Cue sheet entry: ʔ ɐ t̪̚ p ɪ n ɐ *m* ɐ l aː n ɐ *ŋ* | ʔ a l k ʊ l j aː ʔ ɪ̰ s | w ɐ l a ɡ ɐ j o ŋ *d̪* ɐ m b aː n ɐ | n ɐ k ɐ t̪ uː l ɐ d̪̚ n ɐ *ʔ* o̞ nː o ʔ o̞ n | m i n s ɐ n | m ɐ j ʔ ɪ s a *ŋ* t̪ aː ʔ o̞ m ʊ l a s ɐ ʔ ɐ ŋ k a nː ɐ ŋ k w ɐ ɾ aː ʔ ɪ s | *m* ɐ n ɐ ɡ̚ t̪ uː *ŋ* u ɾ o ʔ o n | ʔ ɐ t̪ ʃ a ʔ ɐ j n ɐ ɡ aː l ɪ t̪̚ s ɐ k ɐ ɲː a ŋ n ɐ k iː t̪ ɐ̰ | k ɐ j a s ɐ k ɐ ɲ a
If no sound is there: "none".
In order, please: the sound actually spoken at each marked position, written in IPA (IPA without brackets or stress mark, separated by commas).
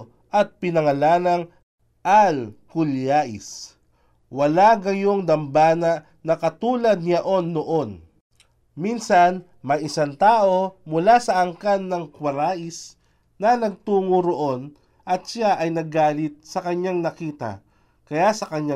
ŋ, ŋ, d̪, ʔ, n, n, ŋ